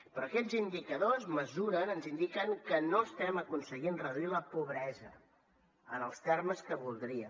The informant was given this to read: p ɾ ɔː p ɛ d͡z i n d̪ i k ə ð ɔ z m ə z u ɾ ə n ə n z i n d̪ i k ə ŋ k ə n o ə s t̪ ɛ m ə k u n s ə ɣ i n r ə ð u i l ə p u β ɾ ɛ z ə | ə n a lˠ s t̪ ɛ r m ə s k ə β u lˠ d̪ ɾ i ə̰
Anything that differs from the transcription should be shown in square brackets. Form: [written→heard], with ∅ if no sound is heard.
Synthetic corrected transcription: p ɾ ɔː [p→k] ɛ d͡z i n d̪ i k ə ð [ɔ→o] z m ə z u ɾ ə n ə n z i n d̪ i k ə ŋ k ə n o ə s t̪ ɛ m ə k u n s ə ɣ i n r ə ð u i l ə p u β ɾ ɛ z ə | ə n [a→ə] lˠ s t̪ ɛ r m ə s k ə β u lˠ d̪ ɾ i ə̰

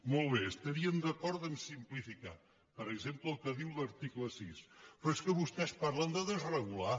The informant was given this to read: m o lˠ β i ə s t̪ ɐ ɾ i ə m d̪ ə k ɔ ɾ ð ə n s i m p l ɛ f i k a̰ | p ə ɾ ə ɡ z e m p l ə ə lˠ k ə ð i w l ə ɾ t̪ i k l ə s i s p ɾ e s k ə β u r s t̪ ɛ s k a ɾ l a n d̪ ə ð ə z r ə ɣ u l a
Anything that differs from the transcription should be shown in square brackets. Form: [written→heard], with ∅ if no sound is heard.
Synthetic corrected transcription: m o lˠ β [i→e] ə s t̪ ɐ ɾ i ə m d̪ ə k ɔ ɾ ð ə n s i m p l [ɛ→i] f i k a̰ | p ə ɾ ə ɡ z e m p l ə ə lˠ k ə ð i w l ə ɾ t̪ i k l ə s i s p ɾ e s k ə β u [r→∅] s t̪ ɛ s [k→p] a ɾ l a n d̪ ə ð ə z r ə ɣ u l a

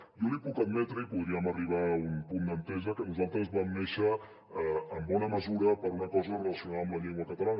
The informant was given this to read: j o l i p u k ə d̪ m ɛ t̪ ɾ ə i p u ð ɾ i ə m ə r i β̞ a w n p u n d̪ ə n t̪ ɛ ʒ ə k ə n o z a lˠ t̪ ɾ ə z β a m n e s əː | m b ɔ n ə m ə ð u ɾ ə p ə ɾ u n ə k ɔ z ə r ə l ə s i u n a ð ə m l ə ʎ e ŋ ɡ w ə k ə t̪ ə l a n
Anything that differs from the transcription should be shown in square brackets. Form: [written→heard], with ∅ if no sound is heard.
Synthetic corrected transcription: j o l i p u k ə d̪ m ɛ t̪ ɾ ə i p u ð ɾ i ə m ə r i β̞ a [w→u] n p u n d̪ ə n t̪ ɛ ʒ ə k ə n [o→u] z a lˠ t̪ ɾ ə z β a m n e [s→ʃ] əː | m b ɔ n ə m ə [ð→z] u ɾ ə p ə ɾ u n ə k ɔ z ə r ə l ə s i u n a ð ə m l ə ʎ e ŋ ɡ w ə k ə t̪ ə l a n

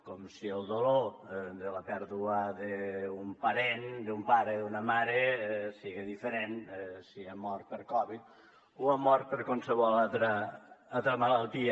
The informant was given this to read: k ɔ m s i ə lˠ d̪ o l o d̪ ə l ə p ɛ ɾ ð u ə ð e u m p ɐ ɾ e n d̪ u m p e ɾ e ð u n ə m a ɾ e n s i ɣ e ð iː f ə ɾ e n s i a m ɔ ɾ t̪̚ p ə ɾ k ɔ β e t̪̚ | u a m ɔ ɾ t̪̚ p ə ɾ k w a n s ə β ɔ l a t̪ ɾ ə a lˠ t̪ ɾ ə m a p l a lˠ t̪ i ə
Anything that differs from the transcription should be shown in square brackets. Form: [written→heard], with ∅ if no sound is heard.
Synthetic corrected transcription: k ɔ m s i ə lˠ d̪ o l o d̪ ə l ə p ɛ ɾ ð u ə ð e u m p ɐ ɾ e n d̪ u m p [e→a] ɾ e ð u n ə m a ɾ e [n→∅] s i ɣ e ð [iː→i] f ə ɾ e n s i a m ɔ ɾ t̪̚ p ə ɾ k ɔ β [e→i] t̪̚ | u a m ɔ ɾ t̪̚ p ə ɾ k w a n s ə β ɔ l a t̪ ɾ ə a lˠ t̪ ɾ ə m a [p→∅] l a lˠ t̪ i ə

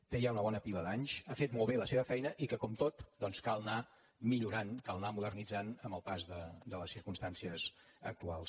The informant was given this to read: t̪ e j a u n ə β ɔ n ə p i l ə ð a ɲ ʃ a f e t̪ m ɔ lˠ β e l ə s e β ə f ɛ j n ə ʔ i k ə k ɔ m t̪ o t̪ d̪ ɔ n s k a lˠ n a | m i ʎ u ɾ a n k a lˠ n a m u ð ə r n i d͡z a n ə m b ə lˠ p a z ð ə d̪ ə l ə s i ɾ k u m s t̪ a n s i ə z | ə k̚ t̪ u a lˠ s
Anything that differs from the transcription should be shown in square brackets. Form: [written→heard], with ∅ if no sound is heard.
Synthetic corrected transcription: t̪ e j a u n ə β ɔ n ə p i l ə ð a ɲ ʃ a f e t̪ m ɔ lˠ β e l ə s e β ə f ɛ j n ə ʔ i k ə k ɔ m t̪ o t̪ d̪ ɔ n s k a lˠ n a | m i ʎ u ɾ a n k a lˠ n a m u ð ə r n i d͡z a n ə m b ə lˠ p a z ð ə d̪ ə l ə s i ɾ k u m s t̪ a n s i ə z | ə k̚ t̪ u a lˠ s

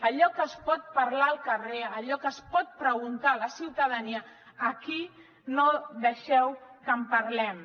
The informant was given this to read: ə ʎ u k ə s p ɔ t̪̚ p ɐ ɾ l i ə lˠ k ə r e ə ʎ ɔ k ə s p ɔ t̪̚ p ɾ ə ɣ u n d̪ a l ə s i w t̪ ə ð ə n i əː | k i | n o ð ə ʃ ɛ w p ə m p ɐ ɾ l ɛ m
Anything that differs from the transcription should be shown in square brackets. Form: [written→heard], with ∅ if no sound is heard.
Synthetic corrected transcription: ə ʎ [u→ɔ] k ə s p ɔ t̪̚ p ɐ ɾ l [i→a] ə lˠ k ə r e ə ʎ ɔ k ə s p ɔ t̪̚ p ɾ ə ɣ u n [d̪→t̪] a l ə s i w t̪ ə ð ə n i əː | k i | n o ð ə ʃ ɛ w [p→k] ə m p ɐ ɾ l ɛ m

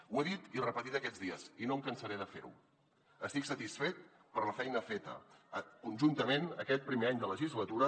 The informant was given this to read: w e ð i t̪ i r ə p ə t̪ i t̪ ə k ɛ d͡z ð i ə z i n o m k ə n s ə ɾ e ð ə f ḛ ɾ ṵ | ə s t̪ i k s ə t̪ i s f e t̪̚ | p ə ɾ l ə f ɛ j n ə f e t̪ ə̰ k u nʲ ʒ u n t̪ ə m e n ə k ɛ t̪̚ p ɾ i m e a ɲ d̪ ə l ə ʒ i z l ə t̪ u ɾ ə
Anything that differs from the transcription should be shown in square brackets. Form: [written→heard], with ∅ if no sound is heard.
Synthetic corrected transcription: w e ð i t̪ i r ə p ə t̪ i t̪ ə k ɛ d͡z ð i ə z i n o m k ə n s ə ɾ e ð ə f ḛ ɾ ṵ | ə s t̪ i k s ə t̪ i s f e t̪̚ | p ə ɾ l ə f ɛ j n ə f e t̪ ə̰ k u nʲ ʒ u n t̪ ə m e n ə k ɛ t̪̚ p ɾ i m e a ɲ d̪ ə l ə ʒ i z l ə t̪ u ɾ ə

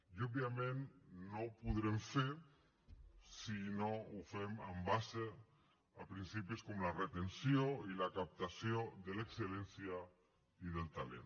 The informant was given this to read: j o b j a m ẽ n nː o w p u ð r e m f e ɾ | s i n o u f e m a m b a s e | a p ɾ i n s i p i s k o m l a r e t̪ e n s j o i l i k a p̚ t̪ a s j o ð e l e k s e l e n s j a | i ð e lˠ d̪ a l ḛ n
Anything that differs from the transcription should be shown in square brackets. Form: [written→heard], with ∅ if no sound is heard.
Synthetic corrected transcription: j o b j a m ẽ n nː o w p u ð [r→ɾ] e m f e ɾ | s i n o u f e m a m b a s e | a p ɾ i n s i p i s k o m l a r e t̪ e n s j o i l [i→a] k a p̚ t̪ a s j o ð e l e k s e l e n s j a | i ð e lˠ [d̪→t̪] a l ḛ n

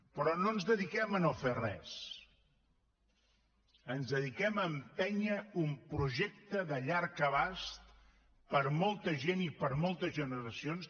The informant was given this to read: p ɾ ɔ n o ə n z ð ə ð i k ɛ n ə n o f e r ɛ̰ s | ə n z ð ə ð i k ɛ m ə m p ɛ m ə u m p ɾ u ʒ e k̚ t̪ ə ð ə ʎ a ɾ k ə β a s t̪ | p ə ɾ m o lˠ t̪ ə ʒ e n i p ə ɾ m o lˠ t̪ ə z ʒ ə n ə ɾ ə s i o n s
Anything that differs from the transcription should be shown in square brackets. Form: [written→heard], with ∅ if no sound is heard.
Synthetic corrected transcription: p ɾ ɔ n o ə n z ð ə ð i k ɛ [n→m] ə n o f e r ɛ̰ s | ə n z ð ə ð i k ɛ m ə m p ɛ [m→ɲ] ə u m p ɾ u ʒ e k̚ t̪ ə ð ə ʎ a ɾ k ə β a s t̪ | p ə ɾ m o lˠ t̪ ə ʒ e n i p ə ɾ m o lˠ t̪ ə z ʒ ə n ə ɾ ə s i o n s

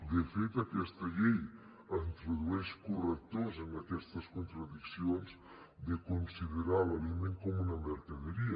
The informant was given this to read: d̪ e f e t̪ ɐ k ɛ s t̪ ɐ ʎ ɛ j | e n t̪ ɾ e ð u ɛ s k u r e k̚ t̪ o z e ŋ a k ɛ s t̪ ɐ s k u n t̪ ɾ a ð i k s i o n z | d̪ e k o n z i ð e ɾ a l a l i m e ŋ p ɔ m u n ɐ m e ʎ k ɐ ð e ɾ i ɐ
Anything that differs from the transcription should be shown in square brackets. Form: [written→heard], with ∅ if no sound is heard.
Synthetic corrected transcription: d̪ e f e t̪ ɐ k ɛ s t̪ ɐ ʎ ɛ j | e n t̪ ɾ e ð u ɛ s k u r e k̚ t̪ o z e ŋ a k ɛ s t̪ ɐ s k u n t̪ ɾ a ð i k s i o n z | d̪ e k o n [z→s] i ð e ɾ a l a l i m e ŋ [p→k] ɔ m u n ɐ m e [ʎ→ɾ] k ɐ ð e ɾ i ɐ

